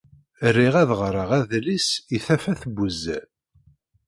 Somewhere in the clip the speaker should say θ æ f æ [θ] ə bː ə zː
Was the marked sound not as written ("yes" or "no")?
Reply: no